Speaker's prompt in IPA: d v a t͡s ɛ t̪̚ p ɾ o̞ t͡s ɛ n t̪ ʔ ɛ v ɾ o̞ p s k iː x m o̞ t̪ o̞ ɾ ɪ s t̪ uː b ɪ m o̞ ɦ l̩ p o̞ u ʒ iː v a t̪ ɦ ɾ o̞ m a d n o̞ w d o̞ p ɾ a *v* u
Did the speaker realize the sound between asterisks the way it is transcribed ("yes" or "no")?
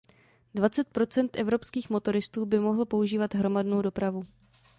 yes